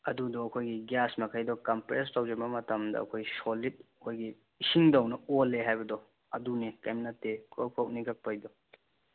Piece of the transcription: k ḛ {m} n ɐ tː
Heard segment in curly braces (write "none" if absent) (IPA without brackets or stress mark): m